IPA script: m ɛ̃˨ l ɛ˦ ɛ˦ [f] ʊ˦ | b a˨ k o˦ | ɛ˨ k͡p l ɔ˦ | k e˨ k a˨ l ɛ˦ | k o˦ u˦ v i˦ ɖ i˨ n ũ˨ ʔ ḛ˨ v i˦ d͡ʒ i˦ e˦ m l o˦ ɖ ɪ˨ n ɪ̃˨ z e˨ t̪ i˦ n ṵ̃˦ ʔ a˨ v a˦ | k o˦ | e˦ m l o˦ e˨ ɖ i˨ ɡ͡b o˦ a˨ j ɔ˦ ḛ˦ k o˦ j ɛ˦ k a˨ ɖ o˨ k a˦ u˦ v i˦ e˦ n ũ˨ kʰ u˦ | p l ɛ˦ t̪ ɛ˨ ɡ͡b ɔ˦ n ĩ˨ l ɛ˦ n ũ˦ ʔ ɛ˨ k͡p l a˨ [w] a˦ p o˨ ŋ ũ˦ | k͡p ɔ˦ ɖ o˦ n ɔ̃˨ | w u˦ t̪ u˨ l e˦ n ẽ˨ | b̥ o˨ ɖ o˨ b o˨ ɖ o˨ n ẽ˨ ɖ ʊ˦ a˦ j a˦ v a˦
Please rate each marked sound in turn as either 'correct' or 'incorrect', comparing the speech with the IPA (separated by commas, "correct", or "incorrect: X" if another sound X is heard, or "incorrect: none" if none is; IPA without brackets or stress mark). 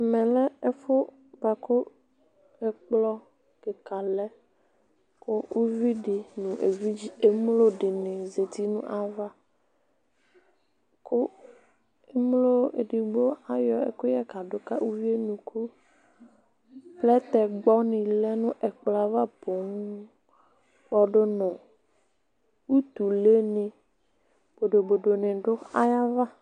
correct, incorrect: v